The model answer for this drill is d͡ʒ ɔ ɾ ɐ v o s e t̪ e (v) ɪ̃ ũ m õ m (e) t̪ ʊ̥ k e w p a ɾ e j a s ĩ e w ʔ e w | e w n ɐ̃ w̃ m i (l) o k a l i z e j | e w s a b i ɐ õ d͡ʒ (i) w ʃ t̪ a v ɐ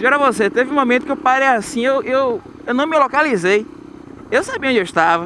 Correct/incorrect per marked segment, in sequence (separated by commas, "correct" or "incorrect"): correct, incorrect, correct, incorrect